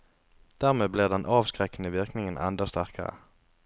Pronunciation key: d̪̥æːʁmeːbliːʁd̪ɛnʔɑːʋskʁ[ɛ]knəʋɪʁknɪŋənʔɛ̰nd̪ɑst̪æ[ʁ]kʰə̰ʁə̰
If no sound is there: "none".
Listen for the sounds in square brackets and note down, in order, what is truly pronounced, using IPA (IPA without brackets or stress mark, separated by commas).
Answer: ɛ, ʁ